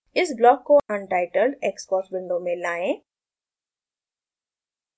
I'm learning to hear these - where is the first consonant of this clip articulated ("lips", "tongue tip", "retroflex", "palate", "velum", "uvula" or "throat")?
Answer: tongue tip